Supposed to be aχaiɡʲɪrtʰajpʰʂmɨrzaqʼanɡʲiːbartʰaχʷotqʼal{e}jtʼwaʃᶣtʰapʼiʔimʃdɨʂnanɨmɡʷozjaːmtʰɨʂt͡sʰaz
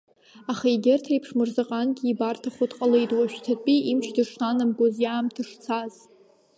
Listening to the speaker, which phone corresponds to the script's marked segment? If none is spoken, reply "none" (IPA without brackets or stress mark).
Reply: e